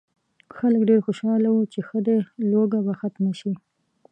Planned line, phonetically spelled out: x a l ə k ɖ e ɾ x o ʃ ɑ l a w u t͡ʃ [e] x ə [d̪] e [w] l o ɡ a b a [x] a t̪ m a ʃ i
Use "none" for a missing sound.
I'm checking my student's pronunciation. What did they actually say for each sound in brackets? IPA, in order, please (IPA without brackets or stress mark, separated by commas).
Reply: e, d̪, none, x